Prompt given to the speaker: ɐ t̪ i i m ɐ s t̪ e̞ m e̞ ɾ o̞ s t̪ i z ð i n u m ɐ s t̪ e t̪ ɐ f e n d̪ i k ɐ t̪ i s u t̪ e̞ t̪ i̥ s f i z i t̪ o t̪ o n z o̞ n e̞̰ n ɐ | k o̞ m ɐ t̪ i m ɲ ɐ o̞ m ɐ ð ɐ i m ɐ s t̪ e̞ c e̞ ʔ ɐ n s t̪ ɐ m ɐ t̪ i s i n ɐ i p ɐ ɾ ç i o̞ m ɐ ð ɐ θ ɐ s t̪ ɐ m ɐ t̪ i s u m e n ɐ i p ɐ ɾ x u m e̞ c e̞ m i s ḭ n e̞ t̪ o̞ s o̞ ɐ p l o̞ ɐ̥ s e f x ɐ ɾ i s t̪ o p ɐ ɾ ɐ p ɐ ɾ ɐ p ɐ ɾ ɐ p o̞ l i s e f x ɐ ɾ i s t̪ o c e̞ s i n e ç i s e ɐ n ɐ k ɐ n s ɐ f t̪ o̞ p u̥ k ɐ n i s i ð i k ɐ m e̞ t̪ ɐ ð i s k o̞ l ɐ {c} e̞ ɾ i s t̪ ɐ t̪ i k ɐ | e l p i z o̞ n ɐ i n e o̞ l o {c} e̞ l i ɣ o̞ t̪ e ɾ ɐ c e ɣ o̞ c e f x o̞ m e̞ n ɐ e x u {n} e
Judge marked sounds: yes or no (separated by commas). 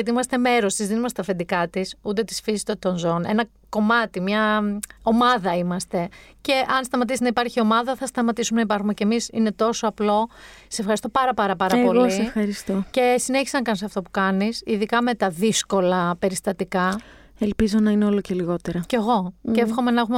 no, yes, no